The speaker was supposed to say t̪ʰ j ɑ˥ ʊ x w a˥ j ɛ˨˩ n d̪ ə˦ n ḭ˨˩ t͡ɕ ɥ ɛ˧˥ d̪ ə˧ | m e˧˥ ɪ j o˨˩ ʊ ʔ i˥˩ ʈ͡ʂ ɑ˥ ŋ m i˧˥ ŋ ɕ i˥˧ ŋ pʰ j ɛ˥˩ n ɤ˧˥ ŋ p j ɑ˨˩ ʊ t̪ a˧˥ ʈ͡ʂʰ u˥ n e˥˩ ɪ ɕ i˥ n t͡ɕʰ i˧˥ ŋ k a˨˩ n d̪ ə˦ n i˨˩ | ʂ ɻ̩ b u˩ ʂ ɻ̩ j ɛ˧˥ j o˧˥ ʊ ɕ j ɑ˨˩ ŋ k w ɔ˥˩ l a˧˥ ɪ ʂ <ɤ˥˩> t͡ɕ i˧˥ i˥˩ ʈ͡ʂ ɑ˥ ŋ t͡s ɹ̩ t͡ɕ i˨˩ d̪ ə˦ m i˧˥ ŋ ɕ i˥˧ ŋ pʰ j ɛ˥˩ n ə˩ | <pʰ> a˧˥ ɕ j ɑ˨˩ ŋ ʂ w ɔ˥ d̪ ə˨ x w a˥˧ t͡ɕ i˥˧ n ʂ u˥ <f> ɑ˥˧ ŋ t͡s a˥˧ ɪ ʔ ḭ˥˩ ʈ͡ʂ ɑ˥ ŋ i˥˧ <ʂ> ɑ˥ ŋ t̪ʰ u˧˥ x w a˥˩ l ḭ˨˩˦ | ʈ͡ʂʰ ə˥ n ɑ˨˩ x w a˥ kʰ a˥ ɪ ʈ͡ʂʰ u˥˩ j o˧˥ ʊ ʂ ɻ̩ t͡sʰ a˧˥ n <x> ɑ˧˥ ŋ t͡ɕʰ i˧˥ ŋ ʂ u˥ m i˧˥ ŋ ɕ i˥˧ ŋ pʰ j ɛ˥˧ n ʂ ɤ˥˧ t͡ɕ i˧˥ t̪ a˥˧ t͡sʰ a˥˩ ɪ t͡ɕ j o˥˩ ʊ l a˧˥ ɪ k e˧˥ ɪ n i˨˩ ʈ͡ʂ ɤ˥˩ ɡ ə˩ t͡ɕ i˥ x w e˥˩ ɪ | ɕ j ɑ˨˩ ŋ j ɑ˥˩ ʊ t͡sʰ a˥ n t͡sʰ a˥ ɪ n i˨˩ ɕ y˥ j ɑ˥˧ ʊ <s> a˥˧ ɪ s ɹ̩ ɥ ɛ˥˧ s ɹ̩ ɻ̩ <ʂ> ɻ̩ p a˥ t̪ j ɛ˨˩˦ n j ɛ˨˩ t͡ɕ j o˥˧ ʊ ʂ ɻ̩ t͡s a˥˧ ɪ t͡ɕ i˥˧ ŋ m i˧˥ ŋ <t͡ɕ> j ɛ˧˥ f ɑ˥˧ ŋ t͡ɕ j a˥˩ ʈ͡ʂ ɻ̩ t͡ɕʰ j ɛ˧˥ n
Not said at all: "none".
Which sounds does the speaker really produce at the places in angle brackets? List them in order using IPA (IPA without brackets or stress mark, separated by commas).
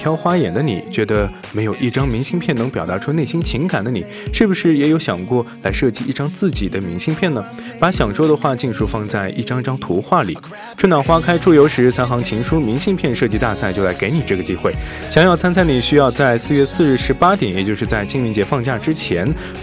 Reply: ɤ˥˩, p, f, ʈ͡ʂ, x, t͡s, ʂ, t͡ɕ